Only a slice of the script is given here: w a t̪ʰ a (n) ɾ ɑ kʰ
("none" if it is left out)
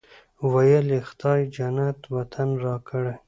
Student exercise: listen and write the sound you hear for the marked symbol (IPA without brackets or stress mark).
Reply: n